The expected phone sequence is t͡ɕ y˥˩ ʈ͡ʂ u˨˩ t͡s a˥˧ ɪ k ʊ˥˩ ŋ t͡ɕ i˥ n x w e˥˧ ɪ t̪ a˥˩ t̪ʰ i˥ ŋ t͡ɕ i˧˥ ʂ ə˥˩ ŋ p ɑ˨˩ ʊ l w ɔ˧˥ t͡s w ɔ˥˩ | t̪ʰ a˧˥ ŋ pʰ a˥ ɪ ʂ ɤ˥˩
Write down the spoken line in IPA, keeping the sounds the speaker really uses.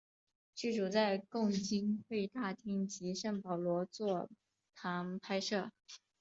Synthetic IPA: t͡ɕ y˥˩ ʈ͡ʂ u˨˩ t͡s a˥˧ ɪ k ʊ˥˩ ŋ t͡ɕ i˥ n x w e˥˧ ɪ t̪ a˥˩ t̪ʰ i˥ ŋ t͡ɕ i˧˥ ʂ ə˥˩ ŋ p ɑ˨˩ ʊ l w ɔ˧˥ t͡s w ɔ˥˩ | t̪ʰ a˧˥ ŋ pʰ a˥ ɪ ʂ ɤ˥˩